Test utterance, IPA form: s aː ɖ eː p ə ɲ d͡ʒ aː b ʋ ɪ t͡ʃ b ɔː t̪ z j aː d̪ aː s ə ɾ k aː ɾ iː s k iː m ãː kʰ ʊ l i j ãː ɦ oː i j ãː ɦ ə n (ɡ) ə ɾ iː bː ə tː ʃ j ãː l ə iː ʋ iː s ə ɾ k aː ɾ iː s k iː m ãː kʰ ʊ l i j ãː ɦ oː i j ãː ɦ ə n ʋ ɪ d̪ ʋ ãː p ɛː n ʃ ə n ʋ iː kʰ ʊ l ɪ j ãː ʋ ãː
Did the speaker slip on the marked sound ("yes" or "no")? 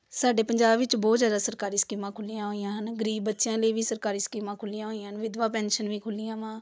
no